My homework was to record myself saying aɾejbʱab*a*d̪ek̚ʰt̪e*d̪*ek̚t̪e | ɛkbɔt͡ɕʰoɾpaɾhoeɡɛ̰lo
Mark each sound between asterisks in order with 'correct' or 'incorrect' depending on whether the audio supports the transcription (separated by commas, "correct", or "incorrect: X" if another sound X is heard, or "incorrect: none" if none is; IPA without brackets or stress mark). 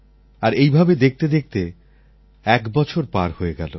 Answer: incorrect: e, correct